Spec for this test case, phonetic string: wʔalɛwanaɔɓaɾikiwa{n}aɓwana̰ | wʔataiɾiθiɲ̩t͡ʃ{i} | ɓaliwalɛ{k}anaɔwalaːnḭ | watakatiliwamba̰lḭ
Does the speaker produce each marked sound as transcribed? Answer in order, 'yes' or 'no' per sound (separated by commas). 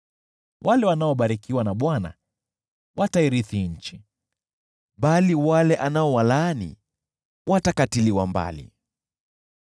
yes, yes, no